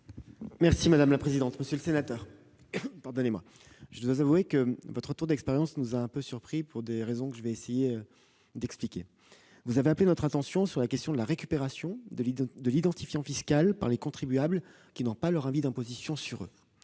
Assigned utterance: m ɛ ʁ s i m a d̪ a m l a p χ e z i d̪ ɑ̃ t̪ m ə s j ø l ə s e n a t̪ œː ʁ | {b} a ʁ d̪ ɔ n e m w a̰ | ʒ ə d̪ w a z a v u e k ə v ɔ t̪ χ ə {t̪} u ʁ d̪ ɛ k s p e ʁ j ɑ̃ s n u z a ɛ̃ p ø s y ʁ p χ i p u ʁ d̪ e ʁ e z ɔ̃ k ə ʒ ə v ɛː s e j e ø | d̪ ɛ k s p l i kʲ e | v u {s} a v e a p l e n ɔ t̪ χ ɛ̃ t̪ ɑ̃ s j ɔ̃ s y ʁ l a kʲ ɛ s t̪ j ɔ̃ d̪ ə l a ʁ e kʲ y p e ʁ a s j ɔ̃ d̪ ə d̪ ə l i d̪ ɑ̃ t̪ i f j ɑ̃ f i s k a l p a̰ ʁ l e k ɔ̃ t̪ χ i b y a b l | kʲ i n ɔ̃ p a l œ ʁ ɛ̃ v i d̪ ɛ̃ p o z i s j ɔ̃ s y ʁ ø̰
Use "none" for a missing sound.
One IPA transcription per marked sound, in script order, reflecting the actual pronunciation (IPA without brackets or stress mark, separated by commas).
p, t̪, z